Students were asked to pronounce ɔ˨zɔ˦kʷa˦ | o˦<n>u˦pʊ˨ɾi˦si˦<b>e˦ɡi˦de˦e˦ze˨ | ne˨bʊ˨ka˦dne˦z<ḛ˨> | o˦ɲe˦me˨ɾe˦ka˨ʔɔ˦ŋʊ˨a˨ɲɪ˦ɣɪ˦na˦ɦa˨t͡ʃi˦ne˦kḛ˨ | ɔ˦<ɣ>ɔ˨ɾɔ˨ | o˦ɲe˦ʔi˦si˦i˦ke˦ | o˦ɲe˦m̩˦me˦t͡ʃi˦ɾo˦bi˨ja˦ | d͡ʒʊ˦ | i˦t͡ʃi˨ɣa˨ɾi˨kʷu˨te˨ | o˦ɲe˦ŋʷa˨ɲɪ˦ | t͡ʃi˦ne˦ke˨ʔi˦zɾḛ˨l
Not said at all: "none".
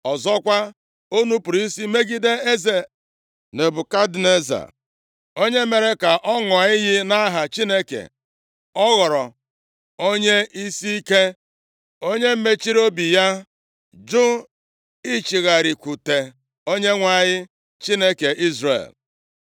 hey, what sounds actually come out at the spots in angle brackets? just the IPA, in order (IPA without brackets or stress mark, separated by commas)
n, m, a̰˨, ɣ